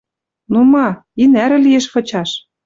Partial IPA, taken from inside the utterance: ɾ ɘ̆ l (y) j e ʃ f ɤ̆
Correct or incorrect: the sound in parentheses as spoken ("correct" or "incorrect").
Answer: incorrect